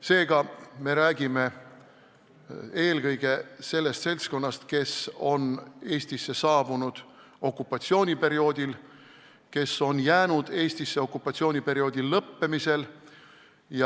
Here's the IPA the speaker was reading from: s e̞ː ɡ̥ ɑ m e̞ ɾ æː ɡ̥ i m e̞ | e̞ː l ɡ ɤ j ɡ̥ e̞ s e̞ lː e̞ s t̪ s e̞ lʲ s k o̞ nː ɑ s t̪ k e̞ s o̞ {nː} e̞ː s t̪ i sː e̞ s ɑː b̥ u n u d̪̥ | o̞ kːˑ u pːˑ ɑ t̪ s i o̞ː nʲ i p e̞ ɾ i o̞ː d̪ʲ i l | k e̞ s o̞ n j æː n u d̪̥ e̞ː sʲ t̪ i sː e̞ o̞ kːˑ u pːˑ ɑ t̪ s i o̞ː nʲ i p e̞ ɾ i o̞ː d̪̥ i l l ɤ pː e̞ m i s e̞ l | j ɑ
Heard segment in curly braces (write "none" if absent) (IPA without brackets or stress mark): n